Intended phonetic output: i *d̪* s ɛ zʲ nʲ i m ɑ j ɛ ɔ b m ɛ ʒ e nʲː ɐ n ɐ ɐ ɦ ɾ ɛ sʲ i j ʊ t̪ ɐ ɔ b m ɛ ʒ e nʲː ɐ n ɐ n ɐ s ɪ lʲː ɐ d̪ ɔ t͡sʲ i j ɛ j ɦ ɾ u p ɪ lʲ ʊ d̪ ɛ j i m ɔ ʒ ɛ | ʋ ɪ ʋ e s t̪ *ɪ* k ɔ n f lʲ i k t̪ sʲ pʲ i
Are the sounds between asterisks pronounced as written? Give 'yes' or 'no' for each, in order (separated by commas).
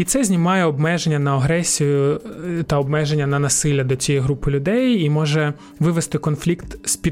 no, yes